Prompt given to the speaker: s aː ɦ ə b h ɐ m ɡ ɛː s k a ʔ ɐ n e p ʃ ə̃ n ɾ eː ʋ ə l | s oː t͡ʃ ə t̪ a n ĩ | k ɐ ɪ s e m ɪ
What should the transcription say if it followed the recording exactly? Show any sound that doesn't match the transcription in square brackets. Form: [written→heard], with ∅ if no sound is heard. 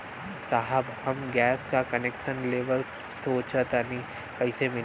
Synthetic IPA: s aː ɦ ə b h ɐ m ɡ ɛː s k a [ʔ→k] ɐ n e [p→k] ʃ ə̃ n [ɾ→l] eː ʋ ə l | s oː t͡ʃ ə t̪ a n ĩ | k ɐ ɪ s e m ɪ